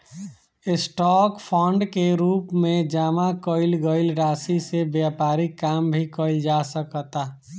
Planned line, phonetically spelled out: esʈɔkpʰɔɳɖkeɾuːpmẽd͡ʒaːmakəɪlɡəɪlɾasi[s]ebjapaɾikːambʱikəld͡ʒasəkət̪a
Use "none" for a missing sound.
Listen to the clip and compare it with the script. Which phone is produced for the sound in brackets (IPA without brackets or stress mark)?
s